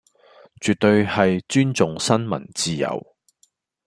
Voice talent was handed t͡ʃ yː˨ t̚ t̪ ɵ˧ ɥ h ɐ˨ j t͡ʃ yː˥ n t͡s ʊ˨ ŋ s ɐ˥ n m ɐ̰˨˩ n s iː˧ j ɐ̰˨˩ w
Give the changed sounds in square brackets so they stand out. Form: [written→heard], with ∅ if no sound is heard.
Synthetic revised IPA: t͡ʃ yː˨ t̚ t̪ ɵ˧ ɥ h ɐ˨ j t͡ʃ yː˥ n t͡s ʊ˨ ŋ s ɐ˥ n m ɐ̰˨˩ n [s→t͡s] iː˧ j ɐ̰˨˩ w